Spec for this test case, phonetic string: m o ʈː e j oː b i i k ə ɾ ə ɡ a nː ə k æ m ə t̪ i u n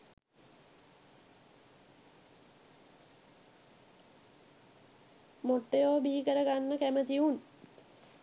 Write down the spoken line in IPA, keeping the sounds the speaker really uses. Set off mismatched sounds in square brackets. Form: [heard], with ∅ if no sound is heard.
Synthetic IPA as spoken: m o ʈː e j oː b i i k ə ɾ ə ɡ a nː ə k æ m ə t̪ i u n